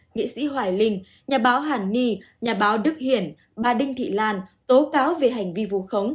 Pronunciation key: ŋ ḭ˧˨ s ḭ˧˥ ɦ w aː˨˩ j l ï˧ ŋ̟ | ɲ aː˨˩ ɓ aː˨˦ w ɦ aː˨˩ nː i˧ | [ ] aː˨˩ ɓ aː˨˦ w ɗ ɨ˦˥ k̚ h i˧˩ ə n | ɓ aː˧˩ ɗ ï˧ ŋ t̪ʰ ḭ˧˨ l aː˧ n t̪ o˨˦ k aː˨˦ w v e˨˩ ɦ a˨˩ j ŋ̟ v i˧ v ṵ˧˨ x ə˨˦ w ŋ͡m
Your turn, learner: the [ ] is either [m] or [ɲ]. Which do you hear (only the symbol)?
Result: ɲ